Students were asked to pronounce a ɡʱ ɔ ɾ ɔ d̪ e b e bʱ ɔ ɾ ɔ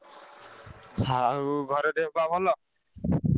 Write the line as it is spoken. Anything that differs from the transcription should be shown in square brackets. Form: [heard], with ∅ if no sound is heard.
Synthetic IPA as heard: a ɡʱ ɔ ɾ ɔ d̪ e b [a] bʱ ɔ [l] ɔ